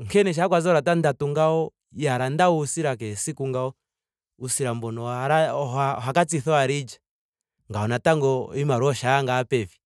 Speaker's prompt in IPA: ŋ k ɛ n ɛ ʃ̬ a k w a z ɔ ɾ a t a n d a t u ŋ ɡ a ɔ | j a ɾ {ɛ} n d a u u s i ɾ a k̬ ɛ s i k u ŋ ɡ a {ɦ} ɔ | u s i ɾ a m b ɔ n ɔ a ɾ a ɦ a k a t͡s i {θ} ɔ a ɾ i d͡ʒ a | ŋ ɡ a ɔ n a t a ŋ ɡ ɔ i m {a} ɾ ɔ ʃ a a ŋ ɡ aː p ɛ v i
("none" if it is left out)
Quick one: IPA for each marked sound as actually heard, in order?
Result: a, none, θ, a

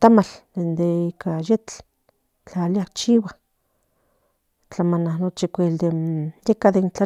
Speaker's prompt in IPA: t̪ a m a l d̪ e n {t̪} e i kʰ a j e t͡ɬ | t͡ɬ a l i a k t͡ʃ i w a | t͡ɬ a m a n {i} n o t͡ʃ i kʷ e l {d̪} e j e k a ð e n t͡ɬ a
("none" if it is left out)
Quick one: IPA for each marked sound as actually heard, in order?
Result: d̪, a, d̪

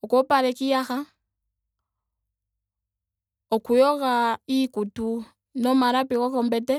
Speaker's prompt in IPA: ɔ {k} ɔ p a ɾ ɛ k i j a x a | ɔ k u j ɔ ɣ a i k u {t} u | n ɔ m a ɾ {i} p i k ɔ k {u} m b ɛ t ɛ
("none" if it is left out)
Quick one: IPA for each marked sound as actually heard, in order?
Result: k, t, a, ɔ

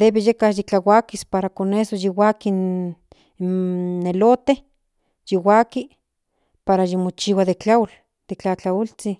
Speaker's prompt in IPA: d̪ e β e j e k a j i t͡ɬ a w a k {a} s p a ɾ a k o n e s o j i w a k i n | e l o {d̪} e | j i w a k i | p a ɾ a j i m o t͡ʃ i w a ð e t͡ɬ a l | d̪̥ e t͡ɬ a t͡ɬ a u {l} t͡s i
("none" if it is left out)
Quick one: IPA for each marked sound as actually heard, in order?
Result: i, t̪, l

